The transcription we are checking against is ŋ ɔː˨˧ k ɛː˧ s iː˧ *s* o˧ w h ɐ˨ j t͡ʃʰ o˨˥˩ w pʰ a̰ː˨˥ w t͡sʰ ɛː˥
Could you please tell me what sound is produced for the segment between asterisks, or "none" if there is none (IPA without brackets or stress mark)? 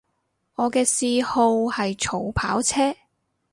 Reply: h